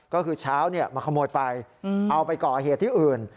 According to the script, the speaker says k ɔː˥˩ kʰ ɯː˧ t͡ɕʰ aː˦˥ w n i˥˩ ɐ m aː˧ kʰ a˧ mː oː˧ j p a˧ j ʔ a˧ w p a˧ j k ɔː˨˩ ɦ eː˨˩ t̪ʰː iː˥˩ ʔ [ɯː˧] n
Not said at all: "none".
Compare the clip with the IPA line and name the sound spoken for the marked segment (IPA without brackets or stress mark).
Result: ɯː˨˩